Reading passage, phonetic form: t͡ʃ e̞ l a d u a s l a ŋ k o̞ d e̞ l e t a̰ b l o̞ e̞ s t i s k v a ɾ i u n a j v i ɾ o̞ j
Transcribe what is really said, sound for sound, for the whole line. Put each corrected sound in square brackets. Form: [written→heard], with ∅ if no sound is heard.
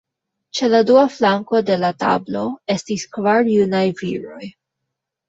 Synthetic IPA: t͡ʃ e̞ l a d u a [s→f] l a ŋ k o̞ d e̞ l [e→a] t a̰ b l o̞ e̞ s t i s k v a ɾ [i→j] u n a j v i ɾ o̞ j

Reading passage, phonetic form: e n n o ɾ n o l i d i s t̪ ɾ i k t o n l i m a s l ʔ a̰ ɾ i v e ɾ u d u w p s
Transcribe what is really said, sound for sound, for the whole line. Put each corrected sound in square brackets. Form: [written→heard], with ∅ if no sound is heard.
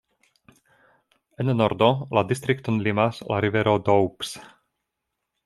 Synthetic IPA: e n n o ɾ [n→d] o l [i→a] d i s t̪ ɾ i k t o n l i m a s l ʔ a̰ ɾ i v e ɾ [u→o] d [u→o] w p s

